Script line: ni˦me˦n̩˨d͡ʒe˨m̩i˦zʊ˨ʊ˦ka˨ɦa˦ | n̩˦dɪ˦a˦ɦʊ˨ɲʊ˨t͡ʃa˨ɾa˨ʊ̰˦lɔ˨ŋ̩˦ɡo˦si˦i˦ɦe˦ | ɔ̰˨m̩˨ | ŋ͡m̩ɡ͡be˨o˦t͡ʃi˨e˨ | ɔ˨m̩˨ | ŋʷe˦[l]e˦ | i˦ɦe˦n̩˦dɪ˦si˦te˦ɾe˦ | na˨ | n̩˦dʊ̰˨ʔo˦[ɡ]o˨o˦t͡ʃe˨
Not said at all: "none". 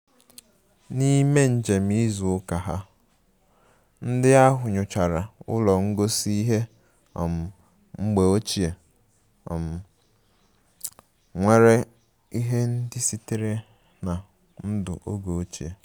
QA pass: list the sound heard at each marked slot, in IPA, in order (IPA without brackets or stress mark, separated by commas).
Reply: ɾ, ɡ